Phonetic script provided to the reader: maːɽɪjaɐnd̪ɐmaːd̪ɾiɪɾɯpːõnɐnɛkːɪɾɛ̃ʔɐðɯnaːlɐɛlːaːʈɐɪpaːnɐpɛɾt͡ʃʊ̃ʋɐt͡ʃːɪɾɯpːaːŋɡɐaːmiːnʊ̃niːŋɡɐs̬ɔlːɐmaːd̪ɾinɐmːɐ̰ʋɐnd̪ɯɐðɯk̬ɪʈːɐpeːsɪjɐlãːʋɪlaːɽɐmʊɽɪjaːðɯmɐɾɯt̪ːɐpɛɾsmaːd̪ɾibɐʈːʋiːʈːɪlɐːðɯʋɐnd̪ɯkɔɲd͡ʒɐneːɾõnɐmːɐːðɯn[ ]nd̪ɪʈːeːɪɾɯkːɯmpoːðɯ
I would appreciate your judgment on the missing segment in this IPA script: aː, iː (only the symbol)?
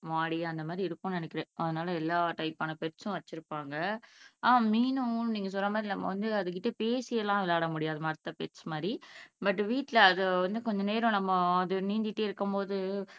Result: iː